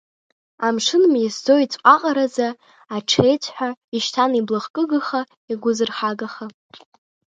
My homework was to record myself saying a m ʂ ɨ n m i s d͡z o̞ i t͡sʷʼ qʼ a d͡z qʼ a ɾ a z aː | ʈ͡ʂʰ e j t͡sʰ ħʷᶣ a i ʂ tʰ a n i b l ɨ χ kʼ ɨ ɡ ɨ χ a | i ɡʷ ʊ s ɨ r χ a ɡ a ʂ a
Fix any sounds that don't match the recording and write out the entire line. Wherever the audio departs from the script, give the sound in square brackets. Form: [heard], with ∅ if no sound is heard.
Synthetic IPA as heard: a m ʂ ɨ n m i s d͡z o̞ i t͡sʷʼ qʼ a [∅] qʼ a ɾ a z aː | ʈ͡ʂʰ e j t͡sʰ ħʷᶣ a i [ʃ] tʰ a n i b l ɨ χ kʼ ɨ ɡ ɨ χ a | i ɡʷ ʊ [z] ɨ r χ a ɡ a [χ] a